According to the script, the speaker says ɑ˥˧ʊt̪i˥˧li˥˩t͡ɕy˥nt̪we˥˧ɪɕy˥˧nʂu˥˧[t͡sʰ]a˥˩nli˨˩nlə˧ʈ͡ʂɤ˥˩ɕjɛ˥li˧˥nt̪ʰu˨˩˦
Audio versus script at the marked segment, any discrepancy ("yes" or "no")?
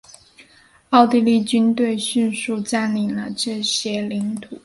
yes